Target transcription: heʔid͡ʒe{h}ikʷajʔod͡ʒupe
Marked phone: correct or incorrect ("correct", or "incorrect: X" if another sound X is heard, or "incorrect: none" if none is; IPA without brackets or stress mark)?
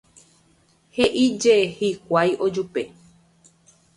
correct